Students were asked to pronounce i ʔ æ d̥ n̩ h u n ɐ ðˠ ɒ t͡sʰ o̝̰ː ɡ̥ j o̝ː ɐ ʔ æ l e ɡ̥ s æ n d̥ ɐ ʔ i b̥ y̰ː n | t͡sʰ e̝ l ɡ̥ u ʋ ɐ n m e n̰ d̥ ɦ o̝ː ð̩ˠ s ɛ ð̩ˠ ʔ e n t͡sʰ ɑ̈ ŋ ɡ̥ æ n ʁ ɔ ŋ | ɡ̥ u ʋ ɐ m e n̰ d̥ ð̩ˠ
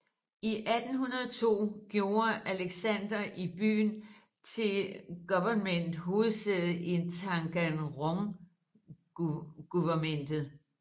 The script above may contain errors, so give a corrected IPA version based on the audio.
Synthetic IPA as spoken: i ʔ æ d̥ n̩ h u n ɐ ðˠ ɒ t͡sʰ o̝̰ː ɡ̥ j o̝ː ɐ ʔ æ l e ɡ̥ s æ n d̥ ɐ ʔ i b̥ y̰ː n | t͡sʰ e̝ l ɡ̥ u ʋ ɐ n m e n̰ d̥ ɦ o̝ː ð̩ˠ s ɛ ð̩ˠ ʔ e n t͡sʰ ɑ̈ ŋ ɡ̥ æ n ʁ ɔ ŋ | ɡ̥ u ʋ ɐ m e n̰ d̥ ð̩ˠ